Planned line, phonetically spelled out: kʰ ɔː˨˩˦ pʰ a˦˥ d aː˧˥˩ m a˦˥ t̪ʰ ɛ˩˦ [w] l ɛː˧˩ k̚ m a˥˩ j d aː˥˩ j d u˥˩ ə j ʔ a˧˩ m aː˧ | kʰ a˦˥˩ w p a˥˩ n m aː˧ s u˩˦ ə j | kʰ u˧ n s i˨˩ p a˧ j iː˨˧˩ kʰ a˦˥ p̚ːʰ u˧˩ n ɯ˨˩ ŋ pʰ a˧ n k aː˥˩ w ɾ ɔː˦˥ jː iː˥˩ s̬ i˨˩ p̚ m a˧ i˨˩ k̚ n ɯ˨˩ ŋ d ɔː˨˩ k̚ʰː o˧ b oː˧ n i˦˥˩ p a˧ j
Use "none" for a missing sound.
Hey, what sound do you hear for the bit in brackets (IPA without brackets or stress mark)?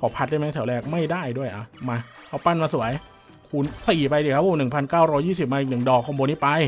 w